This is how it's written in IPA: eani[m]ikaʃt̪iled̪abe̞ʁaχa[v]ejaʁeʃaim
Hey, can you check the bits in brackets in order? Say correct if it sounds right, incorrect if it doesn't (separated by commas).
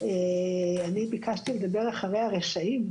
incorrect, incorrect